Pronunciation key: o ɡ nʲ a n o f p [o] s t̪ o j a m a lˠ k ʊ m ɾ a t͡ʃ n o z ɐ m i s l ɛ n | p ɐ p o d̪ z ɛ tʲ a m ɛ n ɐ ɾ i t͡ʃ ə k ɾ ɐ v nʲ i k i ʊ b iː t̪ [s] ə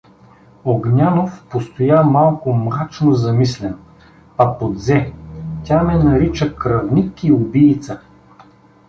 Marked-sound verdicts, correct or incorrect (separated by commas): correct, correct